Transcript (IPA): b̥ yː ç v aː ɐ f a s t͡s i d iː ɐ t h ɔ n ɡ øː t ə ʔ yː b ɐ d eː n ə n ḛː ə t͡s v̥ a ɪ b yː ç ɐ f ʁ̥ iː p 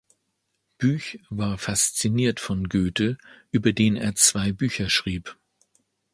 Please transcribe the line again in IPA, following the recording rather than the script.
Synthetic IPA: b̥ yː ç v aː ɐ f a s t͡s i n iː ɐ t f ɔ n ɡ øː t ə ʔ yː b ɐ d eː n ə n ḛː ɐ t͡s v̥ a ɪ b yː ç ɐ ʃ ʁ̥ iː p

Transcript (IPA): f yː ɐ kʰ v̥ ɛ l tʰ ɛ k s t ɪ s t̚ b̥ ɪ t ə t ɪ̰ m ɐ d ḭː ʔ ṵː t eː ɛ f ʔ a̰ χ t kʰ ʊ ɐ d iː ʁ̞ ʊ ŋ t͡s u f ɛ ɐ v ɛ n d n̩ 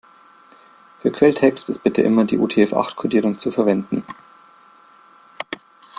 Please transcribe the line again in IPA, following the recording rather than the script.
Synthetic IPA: f yː ɐ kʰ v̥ ɛ l tʰ ɛ k s t ɪ s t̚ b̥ ɪ t ə ʔ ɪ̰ m ɐ d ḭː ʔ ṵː tʰ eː ɛ f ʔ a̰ χ t kʰ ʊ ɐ d iː ʁ̞ ʊ ŋ t͡s u f ɛ ɐ v ɛ n d n̩

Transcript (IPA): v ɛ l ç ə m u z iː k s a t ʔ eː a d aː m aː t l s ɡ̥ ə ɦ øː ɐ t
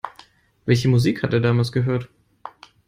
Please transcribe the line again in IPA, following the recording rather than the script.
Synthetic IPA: v ɛ l ç ə m u z iː k h a t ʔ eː ɐ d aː m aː l s ɡ̥ ə ɦ øː ɐ t

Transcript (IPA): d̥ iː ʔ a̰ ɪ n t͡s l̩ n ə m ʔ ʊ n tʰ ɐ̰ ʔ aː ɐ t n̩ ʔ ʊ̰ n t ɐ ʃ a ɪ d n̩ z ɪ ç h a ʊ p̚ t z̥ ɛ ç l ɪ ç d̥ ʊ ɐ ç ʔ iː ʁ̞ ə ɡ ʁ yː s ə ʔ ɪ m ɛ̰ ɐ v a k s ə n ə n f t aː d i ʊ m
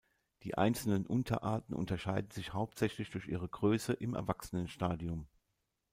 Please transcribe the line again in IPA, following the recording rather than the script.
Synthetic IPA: d̥ iː ʔ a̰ ɪ n t͡s l̩ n ə n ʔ ʊ n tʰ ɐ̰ ʔ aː ɐ t n̩ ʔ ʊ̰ n t ɐ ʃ a ɪ d n̩ z ɪ ç h a ʊ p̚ t z̥ ɛ ç l ɪ ç d̥ ʊ ɐ ç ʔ iː ʁ̞ ə ɡ ʁ øː s ə ʔ ɪ m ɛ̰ ɐ v a k s ə n ə n ʃ t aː d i ʊ m

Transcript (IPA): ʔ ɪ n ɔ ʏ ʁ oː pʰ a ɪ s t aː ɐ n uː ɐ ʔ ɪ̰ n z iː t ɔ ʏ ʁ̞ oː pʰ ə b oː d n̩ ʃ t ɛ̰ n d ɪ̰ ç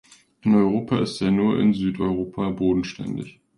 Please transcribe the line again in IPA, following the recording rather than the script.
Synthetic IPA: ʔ ɪ n ɔ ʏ ʁ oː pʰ a ɪ s t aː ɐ n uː ɐ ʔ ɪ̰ n z yː t ɔ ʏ ʁ̞ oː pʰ a b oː d n̩ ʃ t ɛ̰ n d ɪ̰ ç

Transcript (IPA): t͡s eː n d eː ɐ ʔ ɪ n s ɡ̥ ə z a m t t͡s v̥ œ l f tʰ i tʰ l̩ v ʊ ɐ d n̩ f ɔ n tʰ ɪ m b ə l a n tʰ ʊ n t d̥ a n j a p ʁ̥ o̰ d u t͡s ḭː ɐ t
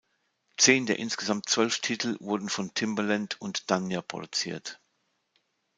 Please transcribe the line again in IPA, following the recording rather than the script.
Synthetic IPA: t͡s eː n d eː ɐ ʔ ɪ n s ɡ̥ ə z a m t t͡s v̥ œ l f tʰ i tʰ l̩ v ʊ ɐ d n̩ f ɔ n tʰ ɪ m b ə l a n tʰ ʊ n t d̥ a n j a p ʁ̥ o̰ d u t͡s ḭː ɐ t

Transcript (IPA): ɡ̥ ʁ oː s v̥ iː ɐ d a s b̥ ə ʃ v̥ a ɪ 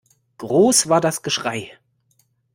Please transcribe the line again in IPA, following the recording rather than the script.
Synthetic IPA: ɡ̥ ʁ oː s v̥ aː ɐ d a s ɡ̥ ə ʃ ʁ̥ a ɪ

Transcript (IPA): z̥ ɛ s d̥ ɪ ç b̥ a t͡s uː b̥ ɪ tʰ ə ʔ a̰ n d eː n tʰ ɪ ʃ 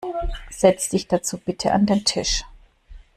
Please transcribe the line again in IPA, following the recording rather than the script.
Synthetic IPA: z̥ ɛ t͡s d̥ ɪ ç d̥ a t͡s uː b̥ ɪ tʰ ə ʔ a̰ n d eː n tʰ ɪ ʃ

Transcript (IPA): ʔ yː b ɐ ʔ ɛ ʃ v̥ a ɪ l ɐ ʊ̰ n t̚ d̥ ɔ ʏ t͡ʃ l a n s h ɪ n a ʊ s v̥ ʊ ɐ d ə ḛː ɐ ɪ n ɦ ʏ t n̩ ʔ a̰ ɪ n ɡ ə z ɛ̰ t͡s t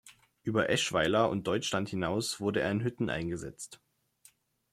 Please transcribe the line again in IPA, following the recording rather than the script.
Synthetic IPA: ʔ yː b ɐ ʔ ɛ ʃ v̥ a ɪ l ɐ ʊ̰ n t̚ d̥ ɔ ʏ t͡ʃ l a n t h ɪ n a ʊ s v̥ ʊ ɐ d ə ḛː ɐ ɪ n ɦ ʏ t n̩ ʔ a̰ ɪ n ɡ ə z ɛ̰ t͡s t

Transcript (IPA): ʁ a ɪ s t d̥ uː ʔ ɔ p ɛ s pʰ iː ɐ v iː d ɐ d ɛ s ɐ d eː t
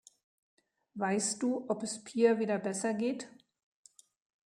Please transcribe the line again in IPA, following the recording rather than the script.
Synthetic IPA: v a ɪ s t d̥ uː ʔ ɔ p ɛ s pʰ iː ɐ v iː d ɐ b ɛ s ɐ ɡ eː t

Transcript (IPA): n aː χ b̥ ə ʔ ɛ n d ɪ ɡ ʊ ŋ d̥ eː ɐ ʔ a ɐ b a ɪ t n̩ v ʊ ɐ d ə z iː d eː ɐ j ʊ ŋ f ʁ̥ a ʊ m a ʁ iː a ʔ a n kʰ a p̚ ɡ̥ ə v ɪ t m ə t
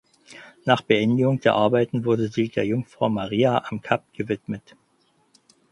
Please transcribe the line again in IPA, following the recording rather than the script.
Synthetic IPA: n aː χ b̥ ə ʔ ɛ n d ɪ ɡ ʊ ŋ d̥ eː ɐ ʔ a ɐ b a ɪ t n̩ v ʊ ɐ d ə z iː d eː ɐ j ʊ ŋ f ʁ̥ a ʊ m a ʁ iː a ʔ a m kʰ a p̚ ɡ̥ ə v ɪ t m ə t

